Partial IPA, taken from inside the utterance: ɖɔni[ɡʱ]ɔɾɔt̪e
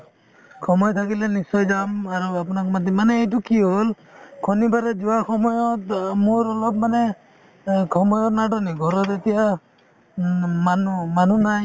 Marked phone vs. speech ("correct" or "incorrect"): correct